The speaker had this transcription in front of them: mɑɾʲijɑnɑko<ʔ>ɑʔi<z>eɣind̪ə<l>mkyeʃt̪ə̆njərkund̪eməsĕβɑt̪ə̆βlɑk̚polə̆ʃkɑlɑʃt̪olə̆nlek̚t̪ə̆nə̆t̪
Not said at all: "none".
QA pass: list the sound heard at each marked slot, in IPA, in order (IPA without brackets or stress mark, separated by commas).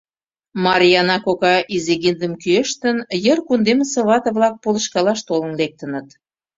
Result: k, z, none